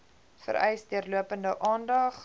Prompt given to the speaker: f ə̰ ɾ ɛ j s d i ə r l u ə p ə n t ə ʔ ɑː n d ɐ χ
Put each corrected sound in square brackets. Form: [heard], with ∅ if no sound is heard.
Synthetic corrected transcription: f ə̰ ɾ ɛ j s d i ə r l u ə p ə n [d] ə ʔ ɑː n d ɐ χ